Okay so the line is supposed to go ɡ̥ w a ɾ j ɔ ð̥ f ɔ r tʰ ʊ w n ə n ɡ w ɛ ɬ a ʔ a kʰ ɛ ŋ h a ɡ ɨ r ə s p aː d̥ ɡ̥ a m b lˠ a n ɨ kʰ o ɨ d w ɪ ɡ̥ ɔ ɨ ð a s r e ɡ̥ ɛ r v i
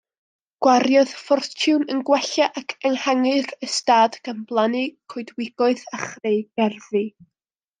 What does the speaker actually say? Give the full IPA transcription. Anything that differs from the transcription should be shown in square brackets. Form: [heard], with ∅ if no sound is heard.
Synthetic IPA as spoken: ɡ̥ w a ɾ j ɔ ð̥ f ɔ r tʰ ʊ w n ə n ɡ w ɛ ɬ a ʔ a kʰ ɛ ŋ h a [ŋ] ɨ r ə s [t] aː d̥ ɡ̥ a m b lˠ a n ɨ kʰ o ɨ d w ɪ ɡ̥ ɔ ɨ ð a [χ] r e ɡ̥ ɛ r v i